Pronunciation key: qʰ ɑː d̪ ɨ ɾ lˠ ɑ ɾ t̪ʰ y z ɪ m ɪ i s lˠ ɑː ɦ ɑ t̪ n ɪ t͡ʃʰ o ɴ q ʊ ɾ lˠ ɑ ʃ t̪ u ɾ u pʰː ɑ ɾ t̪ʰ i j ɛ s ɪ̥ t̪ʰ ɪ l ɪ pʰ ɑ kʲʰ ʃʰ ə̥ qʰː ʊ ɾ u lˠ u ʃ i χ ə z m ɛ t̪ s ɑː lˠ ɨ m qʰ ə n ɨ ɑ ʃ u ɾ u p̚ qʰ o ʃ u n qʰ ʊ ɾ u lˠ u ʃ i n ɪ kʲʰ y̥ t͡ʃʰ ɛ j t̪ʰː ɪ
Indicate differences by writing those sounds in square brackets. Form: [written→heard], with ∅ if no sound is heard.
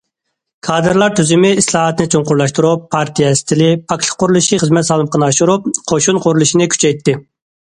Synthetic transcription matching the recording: [qʰ→kʰ] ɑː d̪ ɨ ɾ lˠ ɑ ɾ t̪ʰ y z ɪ m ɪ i s lˠ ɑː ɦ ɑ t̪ n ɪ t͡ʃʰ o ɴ q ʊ ɾ lˠ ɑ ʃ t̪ u ɾ u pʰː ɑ ɾ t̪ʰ i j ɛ s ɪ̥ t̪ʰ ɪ l ɪ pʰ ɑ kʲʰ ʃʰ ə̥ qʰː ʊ ɾ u lˠ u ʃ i χ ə z m ɛ t̪ s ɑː lˠ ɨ m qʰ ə n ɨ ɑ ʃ u ɾ u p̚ qʰ o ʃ u n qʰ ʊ ɾ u lˠ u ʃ i n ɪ kʲʰ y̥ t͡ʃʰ ɛ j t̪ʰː ɪ